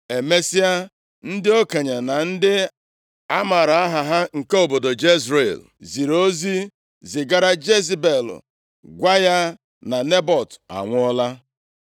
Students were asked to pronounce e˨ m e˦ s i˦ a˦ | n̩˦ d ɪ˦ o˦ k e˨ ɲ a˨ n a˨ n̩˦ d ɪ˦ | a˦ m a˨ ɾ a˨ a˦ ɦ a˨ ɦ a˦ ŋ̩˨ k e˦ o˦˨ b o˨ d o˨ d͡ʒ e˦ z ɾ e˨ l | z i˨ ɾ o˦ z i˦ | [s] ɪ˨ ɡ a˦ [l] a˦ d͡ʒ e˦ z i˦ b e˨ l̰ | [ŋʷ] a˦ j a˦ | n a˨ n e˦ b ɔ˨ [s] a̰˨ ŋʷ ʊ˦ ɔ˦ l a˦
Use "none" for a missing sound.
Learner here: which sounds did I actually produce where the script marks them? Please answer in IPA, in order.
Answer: z, ɾ, ɡʷ, t

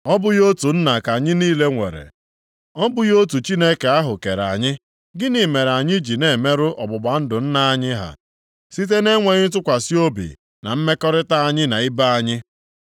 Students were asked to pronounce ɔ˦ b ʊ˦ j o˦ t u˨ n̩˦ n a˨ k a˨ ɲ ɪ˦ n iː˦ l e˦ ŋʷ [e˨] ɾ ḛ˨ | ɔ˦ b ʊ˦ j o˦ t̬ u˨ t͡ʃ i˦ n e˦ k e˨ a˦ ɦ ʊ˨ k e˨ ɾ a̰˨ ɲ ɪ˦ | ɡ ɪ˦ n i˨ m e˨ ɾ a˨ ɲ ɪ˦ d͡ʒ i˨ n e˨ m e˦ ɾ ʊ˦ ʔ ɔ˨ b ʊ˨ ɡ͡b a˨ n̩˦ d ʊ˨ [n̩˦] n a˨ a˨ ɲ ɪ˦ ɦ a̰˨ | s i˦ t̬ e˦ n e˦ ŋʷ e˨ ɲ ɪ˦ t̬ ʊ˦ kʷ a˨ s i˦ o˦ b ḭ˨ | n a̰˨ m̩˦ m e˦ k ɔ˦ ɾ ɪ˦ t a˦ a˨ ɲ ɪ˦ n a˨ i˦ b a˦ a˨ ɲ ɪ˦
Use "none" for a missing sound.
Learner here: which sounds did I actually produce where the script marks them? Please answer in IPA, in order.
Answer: e˨, n̩˦

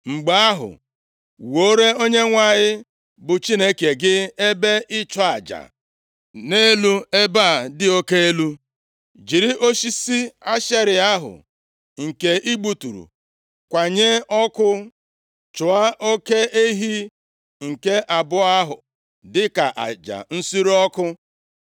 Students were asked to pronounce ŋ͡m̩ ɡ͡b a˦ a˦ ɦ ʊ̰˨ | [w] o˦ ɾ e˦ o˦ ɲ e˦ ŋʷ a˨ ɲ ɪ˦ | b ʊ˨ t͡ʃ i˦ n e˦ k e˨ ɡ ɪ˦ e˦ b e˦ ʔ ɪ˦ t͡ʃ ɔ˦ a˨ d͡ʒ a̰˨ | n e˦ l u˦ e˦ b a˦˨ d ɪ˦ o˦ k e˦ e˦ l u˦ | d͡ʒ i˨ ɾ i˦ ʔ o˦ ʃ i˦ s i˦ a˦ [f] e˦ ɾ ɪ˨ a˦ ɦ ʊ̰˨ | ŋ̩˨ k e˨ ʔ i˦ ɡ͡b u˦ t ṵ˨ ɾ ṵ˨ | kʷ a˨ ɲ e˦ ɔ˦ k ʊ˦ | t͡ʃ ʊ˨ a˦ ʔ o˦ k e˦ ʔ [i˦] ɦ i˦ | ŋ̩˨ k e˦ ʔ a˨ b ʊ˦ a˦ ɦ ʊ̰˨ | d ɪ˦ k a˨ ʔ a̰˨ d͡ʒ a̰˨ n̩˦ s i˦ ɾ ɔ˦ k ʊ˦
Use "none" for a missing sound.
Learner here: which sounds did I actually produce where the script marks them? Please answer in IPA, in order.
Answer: w, ʃ, e˦

